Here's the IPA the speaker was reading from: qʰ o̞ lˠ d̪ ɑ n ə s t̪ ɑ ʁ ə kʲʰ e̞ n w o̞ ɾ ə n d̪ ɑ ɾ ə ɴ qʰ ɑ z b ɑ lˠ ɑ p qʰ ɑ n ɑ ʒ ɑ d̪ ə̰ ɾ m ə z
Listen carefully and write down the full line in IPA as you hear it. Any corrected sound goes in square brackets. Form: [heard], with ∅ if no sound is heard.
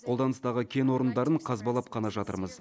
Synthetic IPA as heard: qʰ o̞ lˠ d̪ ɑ n ə s t̪ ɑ ʁ ə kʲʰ e̞ n w o̞ ɾ ə n d̪ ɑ ɾ ə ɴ qʰ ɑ z b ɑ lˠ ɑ p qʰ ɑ n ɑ ʒ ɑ [t̪] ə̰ ɾ m ə z